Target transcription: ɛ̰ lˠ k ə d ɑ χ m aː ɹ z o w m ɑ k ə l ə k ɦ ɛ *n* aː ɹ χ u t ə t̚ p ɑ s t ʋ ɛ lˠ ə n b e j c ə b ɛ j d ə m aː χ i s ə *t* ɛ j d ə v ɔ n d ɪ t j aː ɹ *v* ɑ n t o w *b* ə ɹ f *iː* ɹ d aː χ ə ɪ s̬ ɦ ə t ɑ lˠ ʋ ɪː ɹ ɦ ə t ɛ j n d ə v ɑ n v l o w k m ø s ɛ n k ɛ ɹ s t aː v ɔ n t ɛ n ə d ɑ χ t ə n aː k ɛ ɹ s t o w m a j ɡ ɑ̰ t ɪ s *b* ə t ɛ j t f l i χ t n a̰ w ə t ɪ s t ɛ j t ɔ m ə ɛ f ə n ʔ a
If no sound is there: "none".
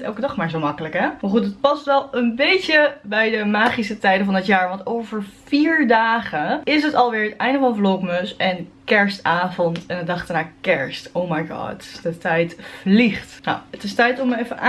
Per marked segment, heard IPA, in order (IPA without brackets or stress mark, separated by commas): m, t, ʋ, v, iː, d